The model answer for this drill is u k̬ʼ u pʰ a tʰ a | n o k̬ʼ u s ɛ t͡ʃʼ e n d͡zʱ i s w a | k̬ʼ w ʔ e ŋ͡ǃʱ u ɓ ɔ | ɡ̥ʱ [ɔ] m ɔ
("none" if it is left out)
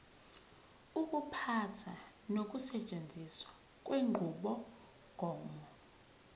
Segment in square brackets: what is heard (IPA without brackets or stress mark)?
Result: ɔː